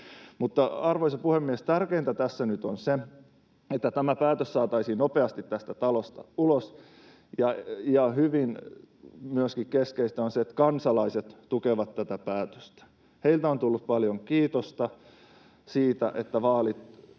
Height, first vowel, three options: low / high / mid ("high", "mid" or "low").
high